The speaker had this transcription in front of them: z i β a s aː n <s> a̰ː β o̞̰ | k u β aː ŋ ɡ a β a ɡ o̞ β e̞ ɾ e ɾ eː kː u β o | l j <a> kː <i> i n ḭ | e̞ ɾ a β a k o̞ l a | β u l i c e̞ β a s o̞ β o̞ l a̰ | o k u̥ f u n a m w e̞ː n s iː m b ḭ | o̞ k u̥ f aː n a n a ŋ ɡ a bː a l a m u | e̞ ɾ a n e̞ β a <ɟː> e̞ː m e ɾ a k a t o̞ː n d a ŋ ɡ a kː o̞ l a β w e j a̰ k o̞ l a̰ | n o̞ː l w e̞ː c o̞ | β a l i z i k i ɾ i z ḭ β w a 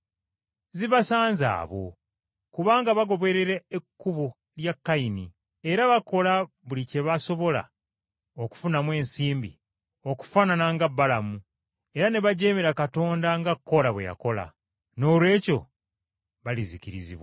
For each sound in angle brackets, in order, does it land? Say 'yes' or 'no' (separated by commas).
no, yes, no, no